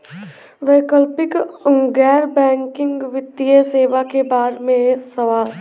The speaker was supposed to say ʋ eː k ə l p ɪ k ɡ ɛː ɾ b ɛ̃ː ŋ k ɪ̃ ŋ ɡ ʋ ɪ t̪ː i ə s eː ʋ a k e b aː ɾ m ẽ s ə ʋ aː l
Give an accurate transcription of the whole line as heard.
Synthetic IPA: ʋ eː k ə l p ɪ k ɡ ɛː ɾ b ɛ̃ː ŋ k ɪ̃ ŋ ɡ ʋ ɪ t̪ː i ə s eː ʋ a k e b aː ɾ m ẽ s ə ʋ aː l